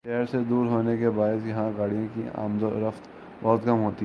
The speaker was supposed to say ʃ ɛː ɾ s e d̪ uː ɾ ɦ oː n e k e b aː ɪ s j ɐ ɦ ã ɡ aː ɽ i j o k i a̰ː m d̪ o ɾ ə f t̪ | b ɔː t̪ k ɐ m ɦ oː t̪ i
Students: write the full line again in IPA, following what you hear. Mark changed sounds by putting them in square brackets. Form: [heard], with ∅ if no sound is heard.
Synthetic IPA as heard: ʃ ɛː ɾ s e d̪ uː ɾ ɦ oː n e k e b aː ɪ s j ɐ ɦ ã ɡ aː ɽ i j [õ] k i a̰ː m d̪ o ɾ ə f t̪ | b ɔː t̪ k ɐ m ɦ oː t̪ i